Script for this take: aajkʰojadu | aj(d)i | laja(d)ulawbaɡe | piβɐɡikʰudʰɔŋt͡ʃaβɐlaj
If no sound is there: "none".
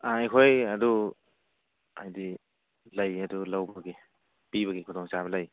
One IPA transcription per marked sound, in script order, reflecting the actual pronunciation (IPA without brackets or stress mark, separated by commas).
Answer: d, d